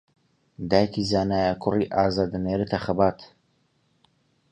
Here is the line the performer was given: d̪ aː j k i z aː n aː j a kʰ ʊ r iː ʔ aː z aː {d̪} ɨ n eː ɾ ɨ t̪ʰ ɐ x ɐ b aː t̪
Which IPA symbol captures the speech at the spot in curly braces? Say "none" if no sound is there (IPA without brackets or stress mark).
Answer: d̪